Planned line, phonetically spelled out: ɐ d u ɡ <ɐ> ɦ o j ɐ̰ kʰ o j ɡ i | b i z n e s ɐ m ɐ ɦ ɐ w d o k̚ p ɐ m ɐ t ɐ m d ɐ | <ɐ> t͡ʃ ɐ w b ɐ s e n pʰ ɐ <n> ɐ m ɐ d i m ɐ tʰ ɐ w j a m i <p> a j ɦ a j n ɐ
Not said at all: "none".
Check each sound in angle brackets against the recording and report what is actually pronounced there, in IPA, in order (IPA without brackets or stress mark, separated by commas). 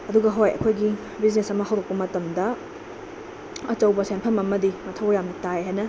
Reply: ɐ, ɐ, m, t